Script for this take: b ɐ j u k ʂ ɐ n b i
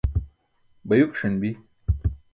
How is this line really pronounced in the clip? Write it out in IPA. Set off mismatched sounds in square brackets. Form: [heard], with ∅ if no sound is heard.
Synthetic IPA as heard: b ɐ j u k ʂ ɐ n b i